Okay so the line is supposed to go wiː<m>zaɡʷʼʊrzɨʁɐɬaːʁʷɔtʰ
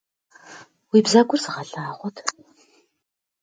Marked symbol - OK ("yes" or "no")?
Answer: no